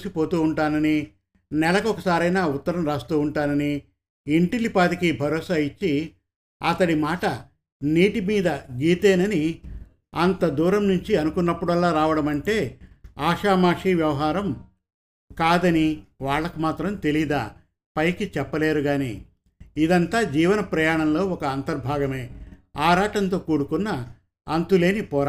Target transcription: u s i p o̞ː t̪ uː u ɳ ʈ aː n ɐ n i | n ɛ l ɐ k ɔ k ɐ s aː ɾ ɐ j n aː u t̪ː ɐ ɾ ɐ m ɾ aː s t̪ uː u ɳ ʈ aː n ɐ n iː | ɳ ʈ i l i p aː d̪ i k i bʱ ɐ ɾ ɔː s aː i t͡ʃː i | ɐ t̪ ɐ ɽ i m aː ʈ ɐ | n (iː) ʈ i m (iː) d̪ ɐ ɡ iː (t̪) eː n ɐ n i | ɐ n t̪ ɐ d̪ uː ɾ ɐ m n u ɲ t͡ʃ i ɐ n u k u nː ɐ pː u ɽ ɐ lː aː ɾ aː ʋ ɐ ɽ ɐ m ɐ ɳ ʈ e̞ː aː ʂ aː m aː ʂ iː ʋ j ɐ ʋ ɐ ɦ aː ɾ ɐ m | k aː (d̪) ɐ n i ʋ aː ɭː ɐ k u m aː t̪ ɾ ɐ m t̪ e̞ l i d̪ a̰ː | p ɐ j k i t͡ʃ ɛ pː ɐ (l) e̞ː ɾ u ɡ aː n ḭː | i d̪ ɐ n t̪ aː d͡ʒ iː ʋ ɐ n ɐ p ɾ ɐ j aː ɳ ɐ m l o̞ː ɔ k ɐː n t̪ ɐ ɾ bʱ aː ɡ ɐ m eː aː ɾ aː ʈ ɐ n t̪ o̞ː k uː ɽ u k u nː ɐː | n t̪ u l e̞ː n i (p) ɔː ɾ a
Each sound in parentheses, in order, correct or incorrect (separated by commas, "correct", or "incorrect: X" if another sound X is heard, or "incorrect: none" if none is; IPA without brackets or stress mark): correct, correct, correct, correct, correct, correct